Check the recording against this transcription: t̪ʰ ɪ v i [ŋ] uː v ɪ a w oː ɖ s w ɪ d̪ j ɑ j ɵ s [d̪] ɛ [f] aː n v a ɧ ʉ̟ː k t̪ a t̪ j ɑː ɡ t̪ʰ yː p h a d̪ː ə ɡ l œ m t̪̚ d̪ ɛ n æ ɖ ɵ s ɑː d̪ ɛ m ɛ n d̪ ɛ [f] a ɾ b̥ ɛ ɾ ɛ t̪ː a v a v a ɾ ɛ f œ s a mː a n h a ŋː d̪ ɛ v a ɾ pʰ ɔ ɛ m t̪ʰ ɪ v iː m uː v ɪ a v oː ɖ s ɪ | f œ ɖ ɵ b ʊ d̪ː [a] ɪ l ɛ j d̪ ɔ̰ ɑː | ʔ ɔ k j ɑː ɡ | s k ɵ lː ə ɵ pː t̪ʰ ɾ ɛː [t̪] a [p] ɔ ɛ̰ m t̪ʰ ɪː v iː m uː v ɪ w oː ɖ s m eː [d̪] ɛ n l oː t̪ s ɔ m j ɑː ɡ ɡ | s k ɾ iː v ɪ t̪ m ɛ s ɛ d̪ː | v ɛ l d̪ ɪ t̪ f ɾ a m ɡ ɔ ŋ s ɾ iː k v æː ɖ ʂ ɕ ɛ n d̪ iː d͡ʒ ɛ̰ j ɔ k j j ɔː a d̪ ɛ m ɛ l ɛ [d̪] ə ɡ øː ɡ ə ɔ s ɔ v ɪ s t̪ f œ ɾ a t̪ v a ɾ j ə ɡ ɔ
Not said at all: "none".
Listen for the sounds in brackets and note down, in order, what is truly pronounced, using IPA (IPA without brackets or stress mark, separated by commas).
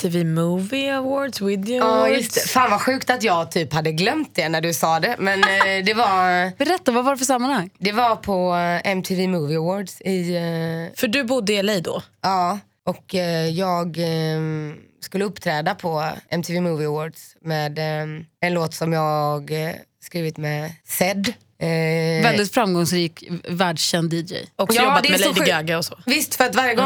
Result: m, t̪, f, v, ə, d̪, pʰ, d̪, d̪